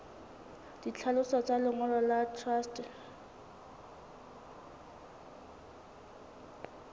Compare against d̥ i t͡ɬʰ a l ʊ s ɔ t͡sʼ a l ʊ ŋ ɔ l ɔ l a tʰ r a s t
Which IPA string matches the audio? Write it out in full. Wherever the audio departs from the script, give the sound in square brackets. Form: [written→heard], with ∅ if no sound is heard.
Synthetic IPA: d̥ i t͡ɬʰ a l ʊ s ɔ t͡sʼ a l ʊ ŋ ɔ l ɔ l a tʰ r a s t